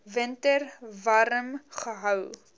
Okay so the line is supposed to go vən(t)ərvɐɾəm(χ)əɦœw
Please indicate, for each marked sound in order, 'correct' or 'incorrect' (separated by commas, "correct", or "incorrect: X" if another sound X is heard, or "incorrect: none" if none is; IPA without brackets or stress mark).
correct, correct